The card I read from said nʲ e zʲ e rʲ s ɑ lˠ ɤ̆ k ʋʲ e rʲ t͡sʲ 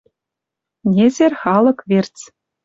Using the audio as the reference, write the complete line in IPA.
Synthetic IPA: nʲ e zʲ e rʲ χ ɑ lˠ ɤ̆ k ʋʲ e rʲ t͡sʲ